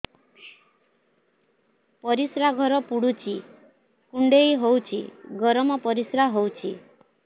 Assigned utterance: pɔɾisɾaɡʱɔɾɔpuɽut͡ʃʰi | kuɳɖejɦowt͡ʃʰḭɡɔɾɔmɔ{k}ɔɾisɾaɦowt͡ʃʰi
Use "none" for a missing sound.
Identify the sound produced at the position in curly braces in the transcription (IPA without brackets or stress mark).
p